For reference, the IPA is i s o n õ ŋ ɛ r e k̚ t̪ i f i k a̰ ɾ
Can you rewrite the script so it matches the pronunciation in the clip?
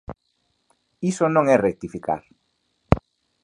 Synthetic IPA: i s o n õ ŋ ɛ r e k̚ t̪ i f i k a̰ ɾ